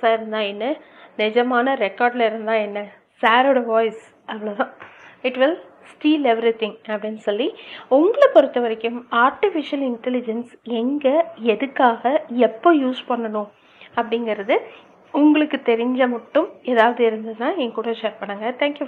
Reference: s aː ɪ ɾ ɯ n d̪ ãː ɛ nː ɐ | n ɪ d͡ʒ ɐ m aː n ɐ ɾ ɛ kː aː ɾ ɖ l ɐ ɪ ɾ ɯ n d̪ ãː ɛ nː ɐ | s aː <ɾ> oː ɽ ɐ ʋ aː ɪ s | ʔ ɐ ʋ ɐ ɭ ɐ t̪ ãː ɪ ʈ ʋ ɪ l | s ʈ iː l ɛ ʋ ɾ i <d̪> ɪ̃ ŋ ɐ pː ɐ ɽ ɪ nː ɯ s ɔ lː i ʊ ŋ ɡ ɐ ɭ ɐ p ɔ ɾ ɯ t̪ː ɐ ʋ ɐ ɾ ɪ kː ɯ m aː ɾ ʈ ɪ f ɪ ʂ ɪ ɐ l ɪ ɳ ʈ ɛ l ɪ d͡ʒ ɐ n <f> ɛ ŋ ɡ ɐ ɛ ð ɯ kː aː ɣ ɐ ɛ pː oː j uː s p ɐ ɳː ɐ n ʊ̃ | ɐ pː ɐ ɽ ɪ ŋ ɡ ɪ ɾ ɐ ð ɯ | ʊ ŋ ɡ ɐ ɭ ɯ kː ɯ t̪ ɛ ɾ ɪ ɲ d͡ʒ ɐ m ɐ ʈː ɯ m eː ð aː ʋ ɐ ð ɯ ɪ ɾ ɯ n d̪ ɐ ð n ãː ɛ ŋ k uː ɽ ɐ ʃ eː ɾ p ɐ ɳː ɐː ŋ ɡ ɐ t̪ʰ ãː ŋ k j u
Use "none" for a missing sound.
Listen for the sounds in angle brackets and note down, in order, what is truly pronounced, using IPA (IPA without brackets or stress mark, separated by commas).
ɾ, t̪, s